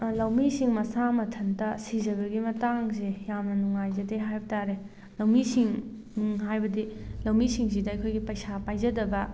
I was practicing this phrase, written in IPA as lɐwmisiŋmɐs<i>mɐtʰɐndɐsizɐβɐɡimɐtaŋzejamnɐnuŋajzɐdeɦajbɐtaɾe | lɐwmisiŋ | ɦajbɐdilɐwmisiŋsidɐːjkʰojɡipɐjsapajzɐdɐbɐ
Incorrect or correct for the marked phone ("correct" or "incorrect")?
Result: incorrect